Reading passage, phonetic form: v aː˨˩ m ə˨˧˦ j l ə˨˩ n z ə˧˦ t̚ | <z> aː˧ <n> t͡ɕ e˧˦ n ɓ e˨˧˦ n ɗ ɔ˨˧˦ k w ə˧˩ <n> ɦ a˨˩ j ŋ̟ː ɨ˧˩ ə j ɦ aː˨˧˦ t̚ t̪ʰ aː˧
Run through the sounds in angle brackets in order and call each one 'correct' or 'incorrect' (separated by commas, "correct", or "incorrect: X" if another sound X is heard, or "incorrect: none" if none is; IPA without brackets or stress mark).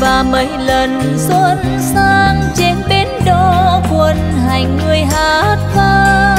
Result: incorrect: s, incorrect: ŋ, correct